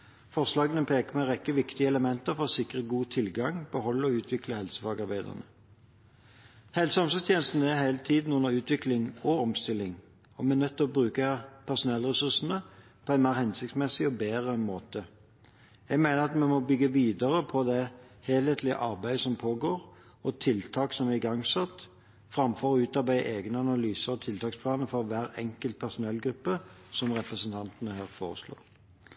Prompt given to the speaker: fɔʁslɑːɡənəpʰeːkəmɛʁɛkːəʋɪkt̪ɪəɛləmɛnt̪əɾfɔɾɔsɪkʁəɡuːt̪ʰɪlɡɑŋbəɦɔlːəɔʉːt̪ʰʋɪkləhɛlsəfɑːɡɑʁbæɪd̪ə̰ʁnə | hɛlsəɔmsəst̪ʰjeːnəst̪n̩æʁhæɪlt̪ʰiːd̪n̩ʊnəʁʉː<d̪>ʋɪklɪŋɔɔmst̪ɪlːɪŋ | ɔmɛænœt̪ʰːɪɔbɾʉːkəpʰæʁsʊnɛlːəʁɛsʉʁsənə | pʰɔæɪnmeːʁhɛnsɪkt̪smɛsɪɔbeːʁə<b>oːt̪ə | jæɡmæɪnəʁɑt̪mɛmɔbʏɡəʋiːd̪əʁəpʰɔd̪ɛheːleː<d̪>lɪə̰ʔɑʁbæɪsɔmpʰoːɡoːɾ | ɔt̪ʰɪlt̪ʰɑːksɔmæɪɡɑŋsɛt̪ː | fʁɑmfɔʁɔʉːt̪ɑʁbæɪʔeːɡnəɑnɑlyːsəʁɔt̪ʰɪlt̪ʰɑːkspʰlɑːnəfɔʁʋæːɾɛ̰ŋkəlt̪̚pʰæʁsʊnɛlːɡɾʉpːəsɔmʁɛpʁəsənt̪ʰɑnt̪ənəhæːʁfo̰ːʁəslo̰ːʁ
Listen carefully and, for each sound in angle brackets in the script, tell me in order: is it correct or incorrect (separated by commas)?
incorrect, incorrect, incorrect